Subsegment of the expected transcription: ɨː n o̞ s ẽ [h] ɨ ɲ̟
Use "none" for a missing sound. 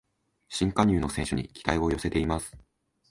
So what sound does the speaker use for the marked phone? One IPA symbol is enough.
ɕ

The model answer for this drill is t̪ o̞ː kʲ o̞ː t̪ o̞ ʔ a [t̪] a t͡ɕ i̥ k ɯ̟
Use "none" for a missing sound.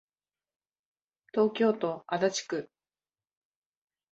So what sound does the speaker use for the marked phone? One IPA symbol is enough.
d̪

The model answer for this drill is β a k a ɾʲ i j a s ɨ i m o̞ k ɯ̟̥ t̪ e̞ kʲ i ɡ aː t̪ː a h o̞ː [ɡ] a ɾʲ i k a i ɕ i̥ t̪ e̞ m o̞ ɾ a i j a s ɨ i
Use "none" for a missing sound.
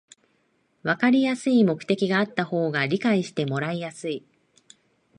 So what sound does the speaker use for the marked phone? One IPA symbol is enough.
ɡ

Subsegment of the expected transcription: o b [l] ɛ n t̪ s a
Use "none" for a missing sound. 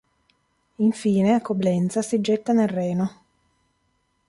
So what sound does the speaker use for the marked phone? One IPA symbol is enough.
l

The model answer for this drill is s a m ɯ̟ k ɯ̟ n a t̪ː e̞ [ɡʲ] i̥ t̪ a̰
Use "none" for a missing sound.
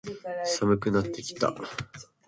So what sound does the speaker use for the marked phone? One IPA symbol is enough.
kʲ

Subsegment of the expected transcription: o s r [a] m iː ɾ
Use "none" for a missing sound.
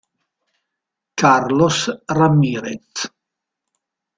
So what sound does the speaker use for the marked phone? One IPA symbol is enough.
a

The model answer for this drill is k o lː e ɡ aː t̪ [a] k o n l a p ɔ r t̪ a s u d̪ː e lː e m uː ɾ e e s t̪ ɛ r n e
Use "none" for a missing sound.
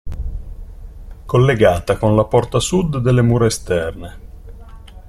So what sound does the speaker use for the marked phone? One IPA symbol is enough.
a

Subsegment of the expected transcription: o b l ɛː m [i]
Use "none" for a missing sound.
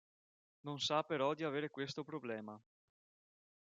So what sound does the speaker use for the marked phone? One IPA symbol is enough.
a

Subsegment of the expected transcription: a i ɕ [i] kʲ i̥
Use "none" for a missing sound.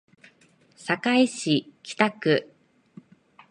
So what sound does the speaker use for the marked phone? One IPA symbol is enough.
i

